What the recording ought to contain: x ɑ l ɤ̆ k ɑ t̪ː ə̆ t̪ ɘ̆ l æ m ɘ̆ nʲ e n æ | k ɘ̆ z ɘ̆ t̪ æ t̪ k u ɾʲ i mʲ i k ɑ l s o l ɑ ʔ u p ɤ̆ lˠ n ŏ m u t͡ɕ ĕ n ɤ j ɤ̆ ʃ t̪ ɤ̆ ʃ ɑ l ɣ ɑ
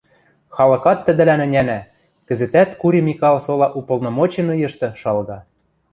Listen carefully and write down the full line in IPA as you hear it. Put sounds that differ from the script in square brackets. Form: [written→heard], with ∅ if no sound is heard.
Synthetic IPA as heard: x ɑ l ɤ̆ k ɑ t̪ː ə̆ [t̪→d̪] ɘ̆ l æ [m→n] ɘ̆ nʲ [e→æ] n æ | k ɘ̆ z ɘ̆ t̪ æ t̪ k u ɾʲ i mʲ i k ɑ l s o l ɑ ʔ u p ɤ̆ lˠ n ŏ m [u→o] t͡ɕ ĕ n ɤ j ɤ̆ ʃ t̪ ɤ̆ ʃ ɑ l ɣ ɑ